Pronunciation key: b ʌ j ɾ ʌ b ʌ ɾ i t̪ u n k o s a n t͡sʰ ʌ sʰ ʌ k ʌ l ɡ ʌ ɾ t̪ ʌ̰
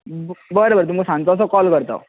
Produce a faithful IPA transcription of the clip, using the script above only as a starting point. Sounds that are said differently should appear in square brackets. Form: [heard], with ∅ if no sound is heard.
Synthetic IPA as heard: b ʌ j ɾ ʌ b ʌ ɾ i t̪ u [m] k o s a n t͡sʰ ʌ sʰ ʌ k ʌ l ɡ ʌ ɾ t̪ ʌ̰